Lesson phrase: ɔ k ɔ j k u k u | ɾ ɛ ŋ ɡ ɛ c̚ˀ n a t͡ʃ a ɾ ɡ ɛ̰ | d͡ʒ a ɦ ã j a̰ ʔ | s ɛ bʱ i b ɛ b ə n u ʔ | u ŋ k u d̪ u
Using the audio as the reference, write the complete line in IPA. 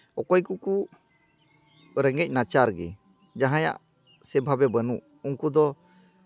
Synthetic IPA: ɔ k ɔ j k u k u | ɾ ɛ ŋ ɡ ɛ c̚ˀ n a t͡ʃ a ɾ ɡ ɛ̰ | d͡ʒ a ɦ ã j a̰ ʔ | s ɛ bʱ a b ɛ b ə n u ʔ | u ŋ k u d̪ ɔ